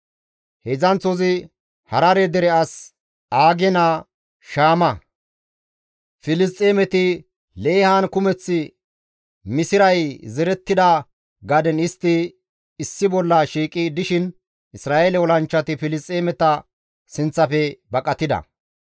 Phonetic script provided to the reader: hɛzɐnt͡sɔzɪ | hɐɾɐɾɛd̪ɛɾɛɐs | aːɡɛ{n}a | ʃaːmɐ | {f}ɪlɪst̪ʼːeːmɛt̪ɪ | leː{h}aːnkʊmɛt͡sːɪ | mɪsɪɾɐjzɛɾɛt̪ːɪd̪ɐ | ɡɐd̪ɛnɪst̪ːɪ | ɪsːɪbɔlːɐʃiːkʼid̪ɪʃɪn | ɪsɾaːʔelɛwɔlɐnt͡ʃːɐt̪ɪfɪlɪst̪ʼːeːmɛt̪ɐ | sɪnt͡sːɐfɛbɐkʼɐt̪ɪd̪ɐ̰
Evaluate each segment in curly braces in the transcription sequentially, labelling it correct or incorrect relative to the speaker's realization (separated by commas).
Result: correct, correct, correct